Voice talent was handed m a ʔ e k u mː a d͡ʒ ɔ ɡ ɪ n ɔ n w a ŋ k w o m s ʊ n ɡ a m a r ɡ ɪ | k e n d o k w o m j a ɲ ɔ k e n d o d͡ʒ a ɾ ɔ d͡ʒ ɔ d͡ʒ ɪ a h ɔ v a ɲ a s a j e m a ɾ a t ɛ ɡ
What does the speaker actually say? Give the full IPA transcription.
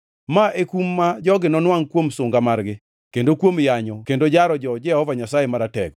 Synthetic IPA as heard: m a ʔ e k u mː a d͡ʒ ɔ ɡ ɪ n ɔ n w a ŋ k w o m s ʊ ŋ ɡ a m a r ɡ ɪ | k e n d o k w o m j a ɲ ɔ k e n d o d͡ʒ a ɾ ɔ d͡ʒ ɔ d͡ʒ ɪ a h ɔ v a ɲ a s a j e m a ɾ a t ɛ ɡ